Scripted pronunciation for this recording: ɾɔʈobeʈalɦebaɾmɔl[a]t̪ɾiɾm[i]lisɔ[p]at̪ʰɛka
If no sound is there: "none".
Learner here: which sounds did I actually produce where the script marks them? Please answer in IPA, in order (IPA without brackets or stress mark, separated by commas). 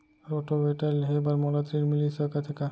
a, i, k